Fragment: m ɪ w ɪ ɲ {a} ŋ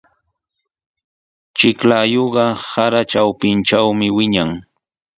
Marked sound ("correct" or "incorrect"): correct